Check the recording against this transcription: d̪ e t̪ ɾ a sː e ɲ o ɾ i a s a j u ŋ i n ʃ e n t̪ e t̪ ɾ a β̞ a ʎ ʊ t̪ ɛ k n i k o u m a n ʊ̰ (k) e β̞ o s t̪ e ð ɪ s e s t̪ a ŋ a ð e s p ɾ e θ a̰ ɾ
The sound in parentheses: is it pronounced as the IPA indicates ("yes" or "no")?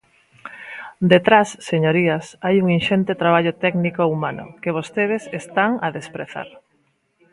yes